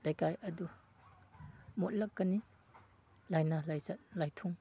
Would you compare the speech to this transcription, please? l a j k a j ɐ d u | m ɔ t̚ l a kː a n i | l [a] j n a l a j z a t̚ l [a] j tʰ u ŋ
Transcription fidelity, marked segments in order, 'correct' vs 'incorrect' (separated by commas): correct, correct